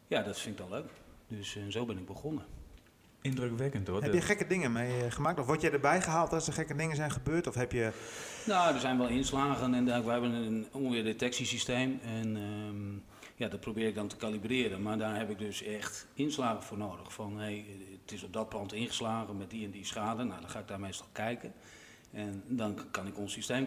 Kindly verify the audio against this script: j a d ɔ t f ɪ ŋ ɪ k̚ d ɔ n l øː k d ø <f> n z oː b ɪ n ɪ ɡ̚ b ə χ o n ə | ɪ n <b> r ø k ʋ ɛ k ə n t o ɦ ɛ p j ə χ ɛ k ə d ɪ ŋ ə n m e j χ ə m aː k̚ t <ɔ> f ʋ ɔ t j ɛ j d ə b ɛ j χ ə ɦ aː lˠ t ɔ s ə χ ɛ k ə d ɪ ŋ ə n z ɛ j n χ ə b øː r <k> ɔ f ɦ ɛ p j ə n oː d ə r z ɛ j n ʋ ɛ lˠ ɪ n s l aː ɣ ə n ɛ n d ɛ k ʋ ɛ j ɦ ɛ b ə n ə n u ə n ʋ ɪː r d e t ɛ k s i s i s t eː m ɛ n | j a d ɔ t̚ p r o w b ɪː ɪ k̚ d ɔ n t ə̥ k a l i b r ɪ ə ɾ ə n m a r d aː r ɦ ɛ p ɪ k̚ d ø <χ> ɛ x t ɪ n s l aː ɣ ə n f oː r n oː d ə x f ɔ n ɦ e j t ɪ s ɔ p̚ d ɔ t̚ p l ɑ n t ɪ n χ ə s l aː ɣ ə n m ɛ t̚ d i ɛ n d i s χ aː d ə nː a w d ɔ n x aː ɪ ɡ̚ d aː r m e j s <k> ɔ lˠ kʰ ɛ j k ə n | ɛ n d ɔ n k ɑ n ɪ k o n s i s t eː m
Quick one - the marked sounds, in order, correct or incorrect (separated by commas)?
incorrect, incorrect, correct, incorrect, incorrect, incorrect